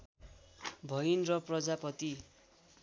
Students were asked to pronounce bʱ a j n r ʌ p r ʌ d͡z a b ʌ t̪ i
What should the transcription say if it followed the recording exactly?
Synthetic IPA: bʱ ʌ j n r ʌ p r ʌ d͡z a p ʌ t̪ i